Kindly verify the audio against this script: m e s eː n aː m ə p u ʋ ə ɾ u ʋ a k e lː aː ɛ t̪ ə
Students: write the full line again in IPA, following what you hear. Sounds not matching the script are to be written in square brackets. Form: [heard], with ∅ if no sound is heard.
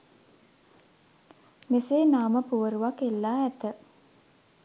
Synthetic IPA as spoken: m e s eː n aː m ə p u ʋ ə ɾ u ʋ a k e lː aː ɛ t̪ ə

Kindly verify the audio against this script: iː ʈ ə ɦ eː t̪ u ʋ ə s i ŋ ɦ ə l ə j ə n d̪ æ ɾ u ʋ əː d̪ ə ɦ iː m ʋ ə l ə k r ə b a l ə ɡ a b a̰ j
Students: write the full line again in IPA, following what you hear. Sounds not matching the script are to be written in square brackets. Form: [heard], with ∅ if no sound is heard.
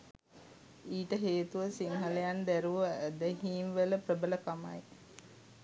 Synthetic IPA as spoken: iː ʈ ə ɦ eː t̪ u ʋ ə s i ŋ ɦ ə l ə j [a] n d̪ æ ɾ u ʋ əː d̪ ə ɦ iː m ʋ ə l ə [p] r ə b [ə] l ə [k] a [m] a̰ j

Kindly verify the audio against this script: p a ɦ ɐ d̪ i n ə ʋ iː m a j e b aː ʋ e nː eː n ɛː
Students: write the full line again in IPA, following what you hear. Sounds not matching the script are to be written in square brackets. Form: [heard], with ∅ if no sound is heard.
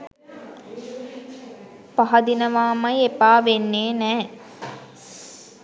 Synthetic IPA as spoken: p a ɦ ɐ d̪ i n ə ʋ [aː] m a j e [p] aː ʋ e nː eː n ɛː

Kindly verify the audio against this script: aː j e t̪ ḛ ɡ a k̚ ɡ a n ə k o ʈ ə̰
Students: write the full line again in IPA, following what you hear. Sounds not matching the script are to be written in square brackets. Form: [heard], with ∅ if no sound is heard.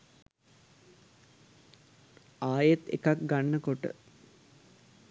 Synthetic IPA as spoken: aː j e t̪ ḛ [k] a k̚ ɡ a [nː] ə k o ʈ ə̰

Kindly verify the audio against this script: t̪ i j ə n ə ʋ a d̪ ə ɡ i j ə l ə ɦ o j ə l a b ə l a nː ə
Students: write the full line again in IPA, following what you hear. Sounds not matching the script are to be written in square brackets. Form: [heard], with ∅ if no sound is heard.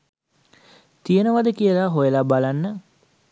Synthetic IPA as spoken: t̪ i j ə n ə ʋ a d̪ ə [k] i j ə l [a] ɦ o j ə l a b [a] l a nː ə

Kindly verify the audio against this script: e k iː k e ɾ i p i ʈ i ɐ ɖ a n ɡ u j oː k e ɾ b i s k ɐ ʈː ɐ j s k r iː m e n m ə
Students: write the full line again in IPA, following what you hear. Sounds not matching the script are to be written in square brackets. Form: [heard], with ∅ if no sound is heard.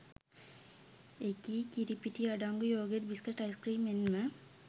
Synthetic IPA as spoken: e k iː k [i] ɾ i p i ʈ i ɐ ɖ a [ŋ] ɡ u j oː [ɡ] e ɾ b i s k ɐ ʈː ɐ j s k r iː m e n m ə

